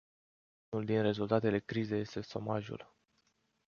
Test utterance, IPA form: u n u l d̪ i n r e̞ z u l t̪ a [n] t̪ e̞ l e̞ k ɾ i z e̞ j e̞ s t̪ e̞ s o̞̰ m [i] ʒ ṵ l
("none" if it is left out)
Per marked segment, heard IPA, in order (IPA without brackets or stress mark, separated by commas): none, a